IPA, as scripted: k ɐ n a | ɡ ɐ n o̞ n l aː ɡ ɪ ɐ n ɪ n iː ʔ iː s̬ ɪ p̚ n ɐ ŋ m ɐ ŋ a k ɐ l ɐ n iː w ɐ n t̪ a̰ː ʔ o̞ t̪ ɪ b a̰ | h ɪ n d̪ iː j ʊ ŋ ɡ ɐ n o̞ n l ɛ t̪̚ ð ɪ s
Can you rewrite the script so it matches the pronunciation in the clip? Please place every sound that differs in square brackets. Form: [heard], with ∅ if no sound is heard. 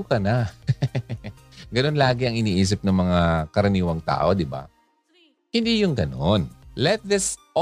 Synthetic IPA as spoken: k ɐ n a | ɡ ɐ n o̞ n l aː ɡ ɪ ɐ [ŋ] ɪ n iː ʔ iː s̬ ɪ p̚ n ɐ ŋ m ɐ ŋ a k ɐ [ɾ] ɐ n iː w ɐ [ŋ] t̪ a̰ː ʔ o̞ [d̪] ɪ b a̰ | h ɪ n d̪ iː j ʊ ŋ ɡ ɐ n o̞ n l ɛ t̪̚ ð ɪ s